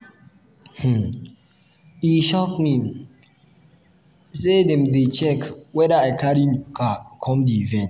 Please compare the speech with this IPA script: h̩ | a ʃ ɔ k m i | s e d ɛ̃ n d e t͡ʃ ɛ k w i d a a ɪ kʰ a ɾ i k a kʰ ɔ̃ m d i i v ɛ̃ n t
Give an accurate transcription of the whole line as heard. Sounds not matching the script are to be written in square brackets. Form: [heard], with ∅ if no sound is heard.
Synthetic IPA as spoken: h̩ | [i] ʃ ɔ k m i | s e d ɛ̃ [m] d e t͡ʃ ɛ k w [ɛ] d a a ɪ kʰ a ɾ i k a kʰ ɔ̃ m d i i v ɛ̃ n t